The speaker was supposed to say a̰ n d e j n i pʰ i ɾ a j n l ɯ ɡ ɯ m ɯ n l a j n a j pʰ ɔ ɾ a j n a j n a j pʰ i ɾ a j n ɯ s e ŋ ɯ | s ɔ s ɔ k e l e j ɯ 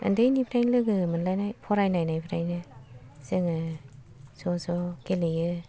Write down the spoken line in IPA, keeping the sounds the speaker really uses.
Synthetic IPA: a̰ n d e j n i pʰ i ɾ a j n l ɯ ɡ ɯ m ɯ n l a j n a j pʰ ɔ ɾ a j n a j n a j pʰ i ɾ a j n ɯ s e ŋ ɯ | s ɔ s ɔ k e l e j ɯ